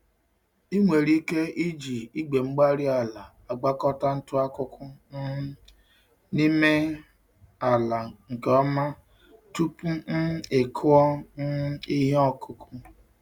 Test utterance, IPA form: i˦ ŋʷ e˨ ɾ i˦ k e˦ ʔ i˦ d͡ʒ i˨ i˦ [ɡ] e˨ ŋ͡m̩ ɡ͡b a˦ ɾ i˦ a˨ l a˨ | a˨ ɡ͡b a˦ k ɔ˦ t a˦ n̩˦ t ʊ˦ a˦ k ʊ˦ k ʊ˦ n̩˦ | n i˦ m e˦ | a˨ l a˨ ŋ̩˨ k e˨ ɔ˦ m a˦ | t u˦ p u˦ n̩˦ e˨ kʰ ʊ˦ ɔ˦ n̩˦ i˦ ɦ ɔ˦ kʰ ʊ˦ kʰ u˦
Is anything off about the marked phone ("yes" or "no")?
yes